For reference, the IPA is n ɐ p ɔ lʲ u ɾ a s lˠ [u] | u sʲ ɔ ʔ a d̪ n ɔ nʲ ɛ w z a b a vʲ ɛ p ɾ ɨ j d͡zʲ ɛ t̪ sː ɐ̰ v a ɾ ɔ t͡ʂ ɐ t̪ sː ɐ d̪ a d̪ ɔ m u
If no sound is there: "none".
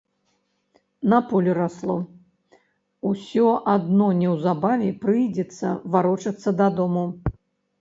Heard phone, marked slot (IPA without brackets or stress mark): ɔ